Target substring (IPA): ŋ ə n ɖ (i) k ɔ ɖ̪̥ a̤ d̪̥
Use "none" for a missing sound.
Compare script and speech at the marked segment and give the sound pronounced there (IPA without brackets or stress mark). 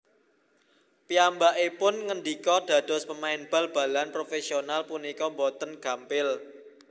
i